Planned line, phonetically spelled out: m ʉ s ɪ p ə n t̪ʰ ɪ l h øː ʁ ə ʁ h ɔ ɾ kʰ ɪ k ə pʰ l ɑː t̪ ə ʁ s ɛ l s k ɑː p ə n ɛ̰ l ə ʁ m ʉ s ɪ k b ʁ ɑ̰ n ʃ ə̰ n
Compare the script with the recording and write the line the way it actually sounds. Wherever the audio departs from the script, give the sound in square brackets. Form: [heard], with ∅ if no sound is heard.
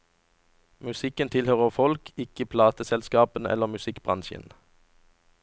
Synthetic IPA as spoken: m ʉ s ɪ [k] ə n t̪ʰ ɪ l h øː ʁ ə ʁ [f] ɔ [l] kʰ ɪ k ə pʰ l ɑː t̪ ə [∅] s ɛ l s k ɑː p ə n ɛ̰ l ə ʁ m ʉ s ɪ k b ʁ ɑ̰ n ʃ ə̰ n